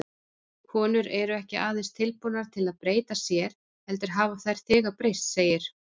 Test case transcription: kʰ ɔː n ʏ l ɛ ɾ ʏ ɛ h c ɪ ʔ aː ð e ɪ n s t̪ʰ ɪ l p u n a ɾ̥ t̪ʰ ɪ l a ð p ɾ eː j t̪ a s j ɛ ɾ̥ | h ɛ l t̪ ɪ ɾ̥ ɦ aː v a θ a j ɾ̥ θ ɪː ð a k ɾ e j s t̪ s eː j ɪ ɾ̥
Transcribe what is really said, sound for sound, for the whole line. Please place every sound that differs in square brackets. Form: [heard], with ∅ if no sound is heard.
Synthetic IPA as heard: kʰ ɔː n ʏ [ɾ] ɛ ɾ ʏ ɛ h c ɪ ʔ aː ð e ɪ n s t̪ʰ ɪ l p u n a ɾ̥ t̪ʰ ɪ l a ð p ɾ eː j t̪ a s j ɛ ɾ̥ | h ɛ l t̪ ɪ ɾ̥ ɦ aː v a θ a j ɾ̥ θ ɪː [ɣ] a [p] ɾ e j s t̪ s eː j ɪ ɾ̥